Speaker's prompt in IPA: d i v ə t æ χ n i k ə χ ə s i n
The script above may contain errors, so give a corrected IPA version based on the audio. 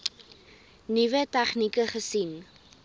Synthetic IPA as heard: n i v ə t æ χ n i k ə χ ə s i n